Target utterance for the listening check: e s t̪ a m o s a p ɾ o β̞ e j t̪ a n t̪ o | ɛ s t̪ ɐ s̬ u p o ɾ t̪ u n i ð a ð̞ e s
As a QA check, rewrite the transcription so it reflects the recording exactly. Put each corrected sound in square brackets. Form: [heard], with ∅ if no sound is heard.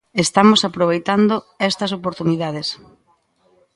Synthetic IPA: e s t̪ a m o s a p ɾ o β̞ e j t̪ a n [d̪] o | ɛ s t̪ ɐ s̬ [o] p o ɾ t̪ u n i ð a ð̞ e s